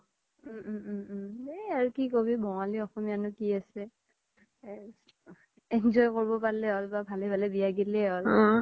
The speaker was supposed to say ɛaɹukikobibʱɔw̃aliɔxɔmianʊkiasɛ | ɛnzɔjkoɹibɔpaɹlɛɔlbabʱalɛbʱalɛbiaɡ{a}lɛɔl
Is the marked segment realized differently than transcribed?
yes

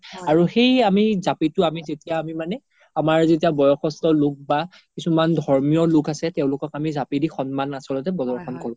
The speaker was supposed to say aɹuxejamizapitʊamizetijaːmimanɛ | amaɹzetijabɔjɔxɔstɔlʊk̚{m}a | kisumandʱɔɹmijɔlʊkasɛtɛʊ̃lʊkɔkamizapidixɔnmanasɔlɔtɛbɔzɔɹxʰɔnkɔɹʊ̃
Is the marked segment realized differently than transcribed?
yes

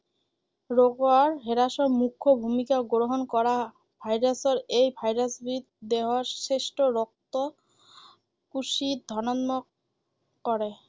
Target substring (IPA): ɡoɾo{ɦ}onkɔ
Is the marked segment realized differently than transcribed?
no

